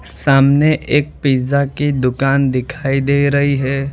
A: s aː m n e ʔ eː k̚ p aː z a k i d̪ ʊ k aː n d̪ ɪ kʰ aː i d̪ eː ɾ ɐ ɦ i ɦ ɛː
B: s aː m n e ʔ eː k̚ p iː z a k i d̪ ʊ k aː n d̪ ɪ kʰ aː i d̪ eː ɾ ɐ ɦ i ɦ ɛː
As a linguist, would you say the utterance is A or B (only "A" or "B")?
B